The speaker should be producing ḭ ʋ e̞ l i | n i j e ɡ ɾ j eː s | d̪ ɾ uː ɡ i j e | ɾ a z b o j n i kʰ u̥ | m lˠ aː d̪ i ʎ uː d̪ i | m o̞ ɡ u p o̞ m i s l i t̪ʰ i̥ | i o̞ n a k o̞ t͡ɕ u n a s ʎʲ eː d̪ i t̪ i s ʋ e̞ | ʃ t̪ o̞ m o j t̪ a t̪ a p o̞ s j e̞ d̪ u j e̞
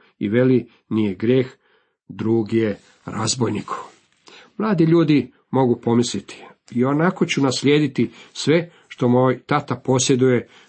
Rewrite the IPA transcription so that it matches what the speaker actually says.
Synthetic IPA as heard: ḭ ʋ e̞ l i | n i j e ɡ ɾ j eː x | d̪ ɾ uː ɡ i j e | ɾ a z b o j n i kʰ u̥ | m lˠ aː d̪ i ʎ uː d̪ i | m o̞ ɡ u p o̞ m i s l i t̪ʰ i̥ | i o̞ n a k o̞ t͡ɕ u n a s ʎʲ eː d̪ i t̪ i s ʋ e̞ | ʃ t̪ o̞ m o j t̪ a t̪ a p o̞ s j e̞ d̪ u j e̞